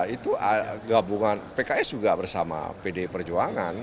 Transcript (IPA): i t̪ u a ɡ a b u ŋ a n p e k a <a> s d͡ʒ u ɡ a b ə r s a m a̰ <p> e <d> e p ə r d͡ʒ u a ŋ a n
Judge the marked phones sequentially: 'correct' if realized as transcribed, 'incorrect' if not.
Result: incorrect: ɛ, correct, correct

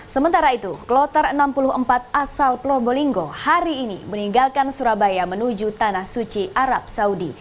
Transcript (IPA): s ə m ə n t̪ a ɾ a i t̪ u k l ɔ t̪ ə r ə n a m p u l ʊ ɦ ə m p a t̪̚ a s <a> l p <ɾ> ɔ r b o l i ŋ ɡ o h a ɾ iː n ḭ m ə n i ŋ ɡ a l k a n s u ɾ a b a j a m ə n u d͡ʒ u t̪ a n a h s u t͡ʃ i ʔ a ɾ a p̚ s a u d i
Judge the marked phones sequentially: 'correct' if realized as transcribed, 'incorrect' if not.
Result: correct, incorrect: l

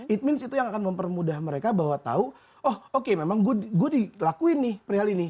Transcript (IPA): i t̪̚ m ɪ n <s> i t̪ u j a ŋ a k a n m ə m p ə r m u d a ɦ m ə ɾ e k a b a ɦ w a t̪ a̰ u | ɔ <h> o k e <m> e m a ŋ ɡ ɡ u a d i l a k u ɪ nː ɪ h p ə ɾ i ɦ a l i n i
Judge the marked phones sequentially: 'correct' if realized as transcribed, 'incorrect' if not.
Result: correct, correct, correct

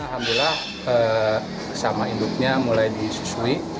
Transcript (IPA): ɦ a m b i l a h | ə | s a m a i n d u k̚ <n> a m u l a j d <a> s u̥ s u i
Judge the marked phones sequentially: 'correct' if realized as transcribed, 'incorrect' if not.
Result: incorrect: ɲ, incorrect: i

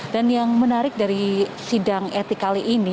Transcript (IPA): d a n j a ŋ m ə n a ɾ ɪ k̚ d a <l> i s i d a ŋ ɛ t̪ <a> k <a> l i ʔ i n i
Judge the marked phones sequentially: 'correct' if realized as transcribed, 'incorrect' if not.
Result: incorrect: ɾ, incorrect: i, correct

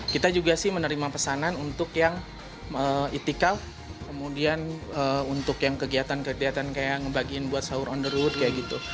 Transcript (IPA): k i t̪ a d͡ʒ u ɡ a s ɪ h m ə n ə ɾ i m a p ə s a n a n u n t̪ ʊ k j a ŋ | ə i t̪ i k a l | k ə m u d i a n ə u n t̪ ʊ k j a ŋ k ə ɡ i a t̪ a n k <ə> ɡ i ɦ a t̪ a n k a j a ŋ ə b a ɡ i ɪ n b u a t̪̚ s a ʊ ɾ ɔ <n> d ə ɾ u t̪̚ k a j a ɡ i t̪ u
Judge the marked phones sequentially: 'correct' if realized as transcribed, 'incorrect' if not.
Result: correct, correct

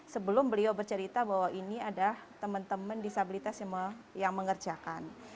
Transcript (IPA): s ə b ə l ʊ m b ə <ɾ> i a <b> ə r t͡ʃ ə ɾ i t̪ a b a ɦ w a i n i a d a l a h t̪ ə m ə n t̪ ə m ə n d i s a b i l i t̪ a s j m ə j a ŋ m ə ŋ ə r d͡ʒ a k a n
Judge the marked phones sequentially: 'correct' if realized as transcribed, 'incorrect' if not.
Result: incorrect: l, correct

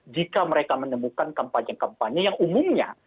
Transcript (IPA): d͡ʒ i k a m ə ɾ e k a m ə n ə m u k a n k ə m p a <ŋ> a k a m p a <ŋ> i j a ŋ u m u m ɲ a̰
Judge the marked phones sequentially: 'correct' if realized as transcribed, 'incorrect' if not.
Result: incorrect: ɲ, incorrect: ɲ

